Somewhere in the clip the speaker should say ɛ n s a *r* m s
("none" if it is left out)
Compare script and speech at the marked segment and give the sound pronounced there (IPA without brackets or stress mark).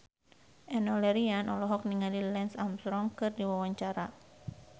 none